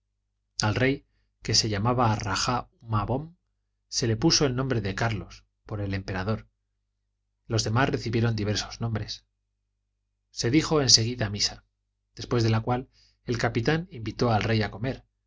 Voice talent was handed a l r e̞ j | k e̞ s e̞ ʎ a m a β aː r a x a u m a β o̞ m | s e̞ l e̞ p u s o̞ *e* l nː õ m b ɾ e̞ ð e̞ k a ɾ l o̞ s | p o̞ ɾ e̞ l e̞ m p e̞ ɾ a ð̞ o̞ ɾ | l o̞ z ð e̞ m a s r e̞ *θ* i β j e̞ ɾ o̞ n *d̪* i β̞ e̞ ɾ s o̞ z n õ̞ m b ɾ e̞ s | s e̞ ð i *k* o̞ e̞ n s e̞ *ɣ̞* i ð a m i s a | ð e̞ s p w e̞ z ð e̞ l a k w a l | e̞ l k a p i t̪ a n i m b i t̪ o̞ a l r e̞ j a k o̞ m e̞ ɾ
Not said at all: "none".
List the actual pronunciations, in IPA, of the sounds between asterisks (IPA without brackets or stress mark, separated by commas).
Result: e, θ, d̪, x, ɣ̞